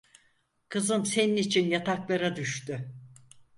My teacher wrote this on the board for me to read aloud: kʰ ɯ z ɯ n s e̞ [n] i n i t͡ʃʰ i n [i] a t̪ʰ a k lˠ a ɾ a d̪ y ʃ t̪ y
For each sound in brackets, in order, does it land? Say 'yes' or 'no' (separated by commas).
yes, no